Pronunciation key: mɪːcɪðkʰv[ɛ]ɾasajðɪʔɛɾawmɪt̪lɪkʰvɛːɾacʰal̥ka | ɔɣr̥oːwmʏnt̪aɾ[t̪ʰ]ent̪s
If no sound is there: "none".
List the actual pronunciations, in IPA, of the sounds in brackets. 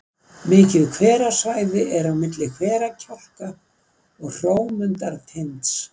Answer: ɛː, t̪ʰ

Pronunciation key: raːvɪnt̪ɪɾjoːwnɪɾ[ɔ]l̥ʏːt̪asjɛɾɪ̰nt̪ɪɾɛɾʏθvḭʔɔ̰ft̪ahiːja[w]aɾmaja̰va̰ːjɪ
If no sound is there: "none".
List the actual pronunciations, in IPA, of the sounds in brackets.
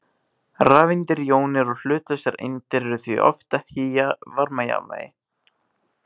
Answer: ɔ, v

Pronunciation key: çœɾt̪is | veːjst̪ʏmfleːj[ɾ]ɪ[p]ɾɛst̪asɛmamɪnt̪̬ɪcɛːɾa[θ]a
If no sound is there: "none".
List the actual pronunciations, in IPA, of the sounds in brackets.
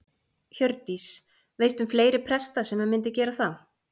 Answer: ɾ, pʰ, θ

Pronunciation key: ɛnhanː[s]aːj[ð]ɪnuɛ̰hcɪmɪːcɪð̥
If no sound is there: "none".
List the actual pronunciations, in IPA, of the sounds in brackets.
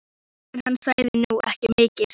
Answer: s, ð

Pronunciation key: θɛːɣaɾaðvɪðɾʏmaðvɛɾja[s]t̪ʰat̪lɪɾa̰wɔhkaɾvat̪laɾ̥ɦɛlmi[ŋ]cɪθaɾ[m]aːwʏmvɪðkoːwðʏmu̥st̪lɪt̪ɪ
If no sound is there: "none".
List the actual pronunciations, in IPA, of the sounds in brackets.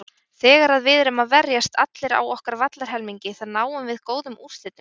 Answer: s, ɲ, n

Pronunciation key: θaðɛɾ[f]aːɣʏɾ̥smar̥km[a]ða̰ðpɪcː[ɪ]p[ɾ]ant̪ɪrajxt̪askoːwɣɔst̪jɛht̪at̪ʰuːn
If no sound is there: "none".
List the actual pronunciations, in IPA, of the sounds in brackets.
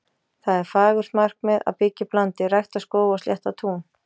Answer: f, ɛ, ɪ, l

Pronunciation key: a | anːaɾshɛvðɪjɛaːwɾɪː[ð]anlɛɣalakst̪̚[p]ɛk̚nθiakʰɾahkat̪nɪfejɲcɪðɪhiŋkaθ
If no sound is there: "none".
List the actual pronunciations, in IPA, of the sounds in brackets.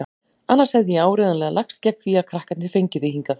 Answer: ð, c

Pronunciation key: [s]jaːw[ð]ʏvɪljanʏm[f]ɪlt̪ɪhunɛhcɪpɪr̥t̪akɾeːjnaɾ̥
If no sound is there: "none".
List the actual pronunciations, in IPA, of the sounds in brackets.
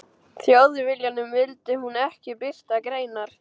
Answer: θ, ð, v

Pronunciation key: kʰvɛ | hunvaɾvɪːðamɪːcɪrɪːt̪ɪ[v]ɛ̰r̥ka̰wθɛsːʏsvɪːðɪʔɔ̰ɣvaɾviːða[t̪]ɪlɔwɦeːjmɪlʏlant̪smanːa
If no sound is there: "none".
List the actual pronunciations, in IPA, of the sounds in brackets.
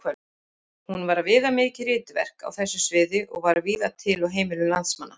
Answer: v, t̪ʰ

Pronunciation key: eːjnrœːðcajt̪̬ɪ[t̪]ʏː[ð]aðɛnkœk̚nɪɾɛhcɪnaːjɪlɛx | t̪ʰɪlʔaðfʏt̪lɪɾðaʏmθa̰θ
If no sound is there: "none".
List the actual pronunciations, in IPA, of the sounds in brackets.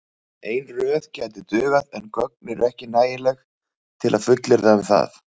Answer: t̪, ɣ

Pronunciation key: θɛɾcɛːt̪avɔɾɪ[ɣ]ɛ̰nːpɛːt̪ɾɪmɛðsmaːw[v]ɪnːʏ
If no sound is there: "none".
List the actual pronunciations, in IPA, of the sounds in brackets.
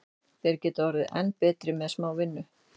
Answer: ð, v

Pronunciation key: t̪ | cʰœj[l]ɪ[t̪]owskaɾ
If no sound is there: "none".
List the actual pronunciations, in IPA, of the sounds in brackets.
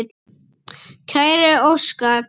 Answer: ɾ, none

